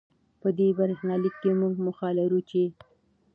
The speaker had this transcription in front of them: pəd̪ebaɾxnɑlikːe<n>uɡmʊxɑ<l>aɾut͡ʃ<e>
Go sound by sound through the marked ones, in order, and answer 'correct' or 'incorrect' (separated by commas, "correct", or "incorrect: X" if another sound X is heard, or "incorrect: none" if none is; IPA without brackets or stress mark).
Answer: incorrect: m, correct, correct